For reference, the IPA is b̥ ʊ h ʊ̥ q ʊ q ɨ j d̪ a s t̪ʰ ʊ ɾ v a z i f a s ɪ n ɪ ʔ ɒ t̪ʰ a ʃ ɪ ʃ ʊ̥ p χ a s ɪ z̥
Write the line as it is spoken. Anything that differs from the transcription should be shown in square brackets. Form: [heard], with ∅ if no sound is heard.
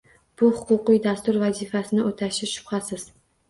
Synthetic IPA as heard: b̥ ʊ h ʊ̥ q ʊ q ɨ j d̪ a s [t̪] ʊ ɾ v a z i f a s ɪ n ɪ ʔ [o] t̪ʰ a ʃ ɪ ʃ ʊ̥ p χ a s ɪ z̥